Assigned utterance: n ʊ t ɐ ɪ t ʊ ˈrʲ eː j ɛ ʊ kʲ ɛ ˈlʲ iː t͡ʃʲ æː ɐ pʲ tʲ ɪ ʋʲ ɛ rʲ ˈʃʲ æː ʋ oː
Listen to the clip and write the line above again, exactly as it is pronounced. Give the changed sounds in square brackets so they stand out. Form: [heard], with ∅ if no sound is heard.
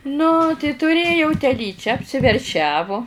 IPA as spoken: n ʊ t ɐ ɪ t ʊ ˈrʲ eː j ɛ ʊ [tʲ] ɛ ˈlʲ iː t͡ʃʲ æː ɐ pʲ [sʲ] ɪ ʋʲ ɛ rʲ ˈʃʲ æː ʋ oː